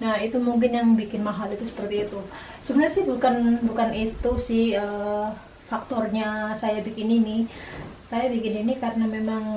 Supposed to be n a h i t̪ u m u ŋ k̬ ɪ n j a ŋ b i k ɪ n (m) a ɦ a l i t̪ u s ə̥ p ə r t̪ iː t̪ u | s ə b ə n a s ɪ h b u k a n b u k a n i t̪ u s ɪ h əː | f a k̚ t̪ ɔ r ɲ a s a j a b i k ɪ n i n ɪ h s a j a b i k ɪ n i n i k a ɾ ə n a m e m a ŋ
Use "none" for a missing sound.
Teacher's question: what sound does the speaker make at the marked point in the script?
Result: m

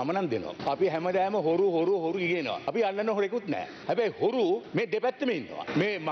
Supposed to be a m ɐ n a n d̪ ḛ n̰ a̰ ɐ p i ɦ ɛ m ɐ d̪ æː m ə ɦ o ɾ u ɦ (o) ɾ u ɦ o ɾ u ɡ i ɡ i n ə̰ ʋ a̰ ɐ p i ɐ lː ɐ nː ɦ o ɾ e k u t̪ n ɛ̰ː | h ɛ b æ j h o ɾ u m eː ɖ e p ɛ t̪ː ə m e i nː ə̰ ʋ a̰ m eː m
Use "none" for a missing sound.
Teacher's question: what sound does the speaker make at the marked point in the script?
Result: o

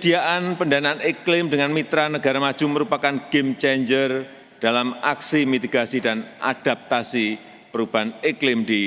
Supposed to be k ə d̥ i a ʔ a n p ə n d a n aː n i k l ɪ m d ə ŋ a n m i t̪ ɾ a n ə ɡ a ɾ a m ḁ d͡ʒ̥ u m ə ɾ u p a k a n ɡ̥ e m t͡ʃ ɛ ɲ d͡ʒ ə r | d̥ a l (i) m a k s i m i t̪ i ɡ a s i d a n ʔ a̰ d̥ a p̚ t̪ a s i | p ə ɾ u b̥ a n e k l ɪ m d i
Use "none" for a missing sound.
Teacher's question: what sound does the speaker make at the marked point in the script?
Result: a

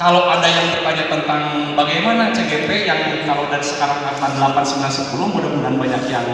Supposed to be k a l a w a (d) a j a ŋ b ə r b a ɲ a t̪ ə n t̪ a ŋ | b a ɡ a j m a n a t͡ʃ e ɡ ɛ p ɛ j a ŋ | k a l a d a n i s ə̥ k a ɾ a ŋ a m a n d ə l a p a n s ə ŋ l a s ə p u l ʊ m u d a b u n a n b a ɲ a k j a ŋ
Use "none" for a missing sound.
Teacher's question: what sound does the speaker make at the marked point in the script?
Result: d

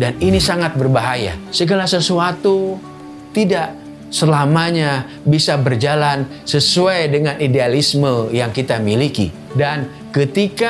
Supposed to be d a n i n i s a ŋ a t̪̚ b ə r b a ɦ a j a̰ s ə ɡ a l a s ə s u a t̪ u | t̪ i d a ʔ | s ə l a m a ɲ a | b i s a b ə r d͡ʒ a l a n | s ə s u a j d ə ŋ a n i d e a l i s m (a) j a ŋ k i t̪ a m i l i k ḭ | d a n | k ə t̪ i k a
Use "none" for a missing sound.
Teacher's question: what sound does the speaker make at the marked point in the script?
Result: ə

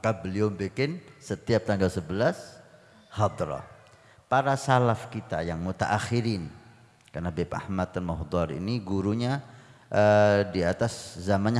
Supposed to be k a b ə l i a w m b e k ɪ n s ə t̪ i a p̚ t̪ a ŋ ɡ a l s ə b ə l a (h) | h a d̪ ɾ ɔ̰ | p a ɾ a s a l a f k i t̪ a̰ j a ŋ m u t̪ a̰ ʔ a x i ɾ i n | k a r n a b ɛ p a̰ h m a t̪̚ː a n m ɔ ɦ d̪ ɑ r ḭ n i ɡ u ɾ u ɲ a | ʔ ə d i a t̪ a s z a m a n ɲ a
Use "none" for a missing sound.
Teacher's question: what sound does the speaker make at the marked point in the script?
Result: s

